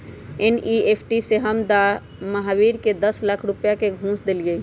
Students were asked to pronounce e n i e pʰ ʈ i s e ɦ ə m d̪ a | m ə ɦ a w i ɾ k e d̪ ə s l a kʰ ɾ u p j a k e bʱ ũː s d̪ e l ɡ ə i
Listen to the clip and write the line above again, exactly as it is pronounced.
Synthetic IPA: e n i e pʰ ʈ i s e ɦ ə m d̪ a | m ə ɦ a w i ɾ k e d̪ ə s l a kʰ ɾ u p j a k e ɡʱ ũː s d̪ e l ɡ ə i